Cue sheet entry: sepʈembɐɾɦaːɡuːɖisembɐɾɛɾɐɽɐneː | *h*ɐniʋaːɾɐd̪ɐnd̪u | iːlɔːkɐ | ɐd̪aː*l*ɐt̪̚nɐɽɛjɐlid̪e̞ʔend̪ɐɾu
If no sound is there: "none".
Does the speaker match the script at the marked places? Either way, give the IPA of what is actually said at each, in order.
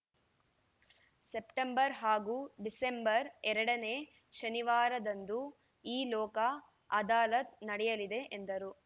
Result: ʃ, l

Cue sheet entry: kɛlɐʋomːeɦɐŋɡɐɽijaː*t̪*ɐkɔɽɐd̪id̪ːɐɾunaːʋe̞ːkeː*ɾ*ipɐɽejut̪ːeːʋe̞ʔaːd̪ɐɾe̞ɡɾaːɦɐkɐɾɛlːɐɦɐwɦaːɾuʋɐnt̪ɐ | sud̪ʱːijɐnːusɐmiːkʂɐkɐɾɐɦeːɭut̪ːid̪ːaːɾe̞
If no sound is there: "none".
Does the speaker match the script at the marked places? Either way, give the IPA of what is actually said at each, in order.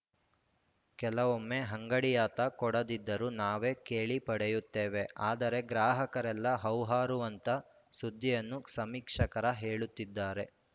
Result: t̪, ɭ

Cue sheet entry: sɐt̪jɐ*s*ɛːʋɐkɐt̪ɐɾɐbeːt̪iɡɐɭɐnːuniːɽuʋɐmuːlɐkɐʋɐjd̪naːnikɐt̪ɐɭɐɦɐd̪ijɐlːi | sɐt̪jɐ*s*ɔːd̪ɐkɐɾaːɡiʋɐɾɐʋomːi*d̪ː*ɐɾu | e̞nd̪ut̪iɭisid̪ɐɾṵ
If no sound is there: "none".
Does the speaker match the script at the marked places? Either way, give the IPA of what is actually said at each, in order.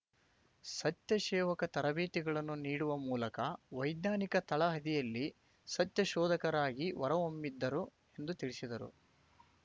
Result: ʃ, ʃ, d̪ː

